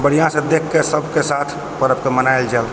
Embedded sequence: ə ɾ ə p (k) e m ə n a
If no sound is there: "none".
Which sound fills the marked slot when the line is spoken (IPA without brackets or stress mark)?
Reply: k